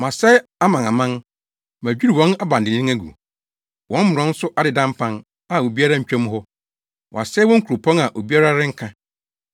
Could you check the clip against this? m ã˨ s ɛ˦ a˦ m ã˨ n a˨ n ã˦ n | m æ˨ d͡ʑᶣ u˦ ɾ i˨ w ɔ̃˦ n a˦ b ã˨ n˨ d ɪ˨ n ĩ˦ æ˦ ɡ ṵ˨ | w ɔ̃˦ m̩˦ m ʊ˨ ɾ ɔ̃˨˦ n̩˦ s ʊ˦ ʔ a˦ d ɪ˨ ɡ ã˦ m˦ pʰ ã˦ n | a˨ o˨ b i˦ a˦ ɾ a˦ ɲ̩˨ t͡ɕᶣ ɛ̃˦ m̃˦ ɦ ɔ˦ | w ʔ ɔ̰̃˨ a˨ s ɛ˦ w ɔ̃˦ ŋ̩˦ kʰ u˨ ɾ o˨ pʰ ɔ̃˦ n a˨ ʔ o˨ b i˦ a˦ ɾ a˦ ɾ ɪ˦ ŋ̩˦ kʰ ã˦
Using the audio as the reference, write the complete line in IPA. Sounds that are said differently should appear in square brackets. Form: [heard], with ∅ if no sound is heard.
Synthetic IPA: m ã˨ s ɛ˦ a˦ m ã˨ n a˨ [m] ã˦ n | m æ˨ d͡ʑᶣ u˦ ɾ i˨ w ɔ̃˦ n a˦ b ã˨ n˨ d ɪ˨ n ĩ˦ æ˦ ɡ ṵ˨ | w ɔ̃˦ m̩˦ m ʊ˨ ɾ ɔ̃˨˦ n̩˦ s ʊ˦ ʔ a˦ d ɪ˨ [d] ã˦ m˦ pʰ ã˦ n | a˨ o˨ b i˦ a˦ ɾ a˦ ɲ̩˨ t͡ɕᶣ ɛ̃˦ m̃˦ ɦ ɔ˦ | w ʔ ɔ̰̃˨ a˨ s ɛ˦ w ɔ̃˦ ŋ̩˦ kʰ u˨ ɾ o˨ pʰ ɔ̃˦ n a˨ ʔ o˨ b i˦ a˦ ɾ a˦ ɾ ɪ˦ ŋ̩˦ kʰ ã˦